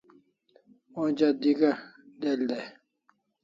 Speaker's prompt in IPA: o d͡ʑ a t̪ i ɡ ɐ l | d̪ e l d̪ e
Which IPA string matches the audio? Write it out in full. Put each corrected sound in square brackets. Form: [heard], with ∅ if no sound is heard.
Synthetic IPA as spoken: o d͡ʑ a [d̪] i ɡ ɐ [∅] | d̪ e l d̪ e